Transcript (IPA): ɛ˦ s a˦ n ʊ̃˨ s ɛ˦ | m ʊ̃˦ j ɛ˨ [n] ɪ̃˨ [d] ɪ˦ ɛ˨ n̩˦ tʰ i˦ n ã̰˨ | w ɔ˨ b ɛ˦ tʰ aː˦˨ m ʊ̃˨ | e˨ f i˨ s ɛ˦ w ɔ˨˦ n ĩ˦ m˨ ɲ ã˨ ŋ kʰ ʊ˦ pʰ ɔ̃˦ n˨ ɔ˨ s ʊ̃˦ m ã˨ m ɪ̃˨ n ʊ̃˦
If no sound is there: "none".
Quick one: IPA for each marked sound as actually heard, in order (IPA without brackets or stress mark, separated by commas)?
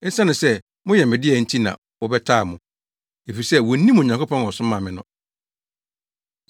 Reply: m, d